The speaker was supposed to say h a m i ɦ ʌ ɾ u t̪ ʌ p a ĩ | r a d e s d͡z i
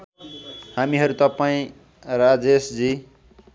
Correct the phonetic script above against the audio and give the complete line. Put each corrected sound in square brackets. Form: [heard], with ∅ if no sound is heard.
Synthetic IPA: h a m i ɦ ʌ ɾ u t̪ ʌ p a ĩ | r a [d͡z] e s d͡z i